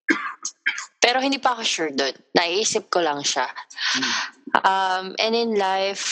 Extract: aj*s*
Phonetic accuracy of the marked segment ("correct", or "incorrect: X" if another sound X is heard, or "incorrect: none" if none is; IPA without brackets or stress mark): incorrect: f